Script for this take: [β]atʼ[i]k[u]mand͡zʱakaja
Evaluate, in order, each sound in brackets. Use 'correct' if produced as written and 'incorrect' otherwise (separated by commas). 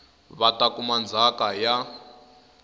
correct, incorrect, correct